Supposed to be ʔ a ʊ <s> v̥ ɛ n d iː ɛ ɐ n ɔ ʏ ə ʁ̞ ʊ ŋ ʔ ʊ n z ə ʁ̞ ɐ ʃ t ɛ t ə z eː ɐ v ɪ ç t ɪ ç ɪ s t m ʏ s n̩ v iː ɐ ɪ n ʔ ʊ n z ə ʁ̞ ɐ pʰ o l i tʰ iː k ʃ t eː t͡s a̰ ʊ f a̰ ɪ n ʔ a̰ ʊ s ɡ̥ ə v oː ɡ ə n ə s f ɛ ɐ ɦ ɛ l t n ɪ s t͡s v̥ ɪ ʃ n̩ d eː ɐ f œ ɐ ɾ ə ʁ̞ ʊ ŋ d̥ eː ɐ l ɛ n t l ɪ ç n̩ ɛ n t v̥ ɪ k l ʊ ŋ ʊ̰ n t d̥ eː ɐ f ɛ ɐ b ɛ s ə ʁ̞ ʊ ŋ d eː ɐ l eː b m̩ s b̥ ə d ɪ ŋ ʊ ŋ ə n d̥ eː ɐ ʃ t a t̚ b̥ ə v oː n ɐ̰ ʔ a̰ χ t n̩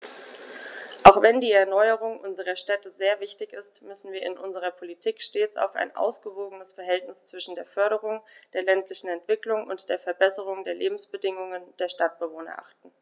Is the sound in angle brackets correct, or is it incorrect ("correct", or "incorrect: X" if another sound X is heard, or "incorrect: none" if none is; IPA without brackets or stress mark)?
incorrect: x